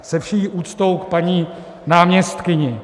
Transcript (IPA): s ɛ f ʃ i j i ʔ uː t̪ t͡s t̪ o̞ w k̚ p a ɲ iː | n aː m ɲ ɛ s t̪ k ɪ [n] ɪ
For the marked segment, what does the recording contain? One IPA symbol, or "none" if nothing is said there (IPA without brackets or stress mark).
ɲ